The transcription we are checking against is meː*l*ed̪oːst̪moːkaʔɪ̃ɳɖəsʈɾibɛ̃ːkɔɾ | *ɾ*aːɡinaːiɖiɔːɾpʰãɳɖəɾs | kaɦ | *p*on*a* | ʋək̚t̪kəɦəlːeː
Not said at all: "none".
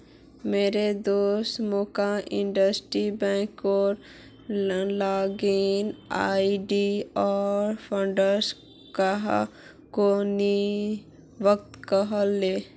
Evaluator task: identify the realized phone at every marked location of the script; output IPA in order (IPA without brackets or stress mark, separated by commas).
ɾ, l, k, i